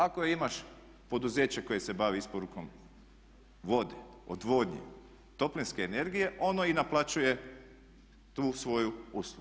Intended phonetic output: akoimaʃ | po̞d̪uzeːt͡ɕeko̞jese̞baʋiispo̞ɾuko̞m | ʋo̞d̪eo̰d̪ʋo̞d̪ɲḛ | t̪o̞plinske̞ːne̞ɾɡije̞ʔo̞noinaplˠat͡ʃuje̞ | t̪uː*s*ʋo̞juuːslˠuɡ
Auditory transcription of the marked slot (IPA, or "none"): s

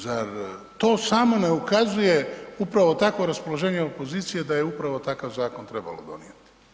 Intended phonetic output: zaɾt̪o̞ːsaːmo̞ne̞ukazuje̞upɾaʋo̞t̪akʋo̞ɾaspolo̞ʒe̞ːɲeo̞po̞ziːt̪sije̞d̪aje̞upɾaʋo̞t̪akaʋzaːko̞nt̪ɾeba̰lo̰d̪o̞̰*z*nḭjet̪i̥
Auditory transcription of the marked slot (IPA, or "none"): none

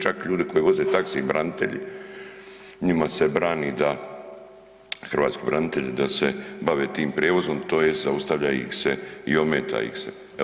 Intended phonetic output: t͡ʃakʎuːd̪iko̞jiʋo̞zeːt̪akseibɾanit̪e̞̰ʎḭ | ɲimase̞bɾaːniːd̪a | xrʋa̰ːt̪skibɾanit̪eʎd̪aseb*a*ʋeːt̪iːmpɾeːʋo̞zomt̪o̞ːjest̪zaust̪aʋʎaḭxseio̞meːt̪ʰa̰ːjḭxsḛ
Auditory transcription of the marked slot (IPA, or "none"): a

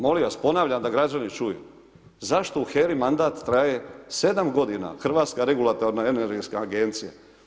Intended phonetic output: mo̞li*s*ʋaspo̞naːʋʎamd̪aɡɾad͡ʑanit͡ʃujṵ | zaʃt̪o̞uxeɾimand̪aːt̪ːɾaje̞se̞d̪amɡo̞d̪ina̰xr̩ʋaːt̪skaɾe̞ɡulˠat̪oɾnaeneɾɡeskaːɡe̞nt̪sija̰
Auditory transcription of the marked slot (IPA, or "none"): none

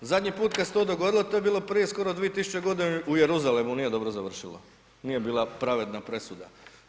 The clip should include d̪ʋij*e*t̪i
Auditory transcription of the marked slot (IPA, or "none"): e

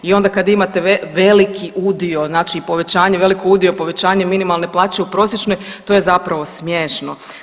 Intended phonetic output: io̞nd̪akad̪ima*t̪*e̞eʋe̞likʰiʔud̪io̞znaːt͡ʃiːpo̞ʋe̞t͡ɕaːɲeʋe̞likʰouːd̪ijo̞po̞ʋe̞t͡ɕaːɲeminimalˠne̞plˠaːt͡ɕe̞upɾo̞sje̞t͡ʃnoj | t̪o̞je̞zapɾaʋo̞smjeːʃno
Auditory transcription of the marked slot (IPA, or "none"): t̪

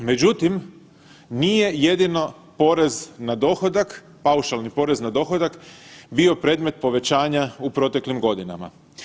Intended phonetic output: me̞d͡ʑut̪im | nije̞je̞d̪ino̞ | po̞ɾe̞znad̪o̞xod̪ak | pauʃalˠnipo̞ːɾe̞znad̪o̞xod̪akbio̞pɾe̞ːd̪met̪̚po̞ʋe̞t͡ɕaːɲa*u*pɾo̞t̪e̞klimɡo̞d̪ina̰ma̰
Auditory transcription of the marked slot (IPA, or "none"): u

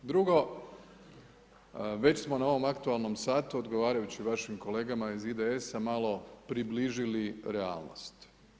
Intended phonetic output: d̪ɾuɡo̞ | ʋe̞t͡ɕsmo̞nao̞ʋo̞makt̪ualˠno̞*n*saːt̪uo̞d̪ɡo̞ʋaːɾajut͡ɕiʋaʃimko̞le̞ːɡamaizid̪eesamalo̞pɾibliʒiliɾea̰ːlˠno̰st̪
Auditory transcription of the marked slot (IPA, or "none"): m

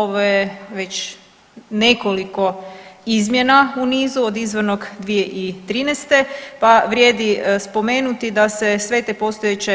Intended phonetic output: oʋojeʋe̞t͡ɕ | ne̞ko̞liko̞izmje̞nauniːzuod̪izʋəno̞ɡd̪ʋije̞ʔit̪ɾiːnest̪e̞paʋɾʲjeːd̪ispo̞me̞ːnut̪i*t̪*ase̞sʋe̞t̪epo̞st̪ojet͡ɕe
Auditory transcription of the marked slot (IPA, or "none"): d̪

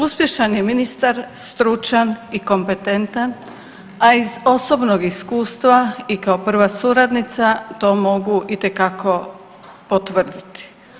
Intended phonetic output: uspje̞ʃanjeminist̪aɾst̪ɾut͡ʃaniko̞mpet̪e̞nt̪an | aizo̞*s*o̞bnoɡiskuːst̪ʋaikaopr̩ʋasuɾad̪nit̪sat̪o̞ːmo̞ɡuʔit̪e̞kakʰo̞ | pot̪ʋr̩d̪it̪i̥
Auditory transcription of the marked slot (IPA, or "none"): s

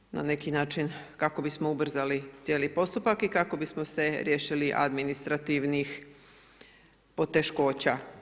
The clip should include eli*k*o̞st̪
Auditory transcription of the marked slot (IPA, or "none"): p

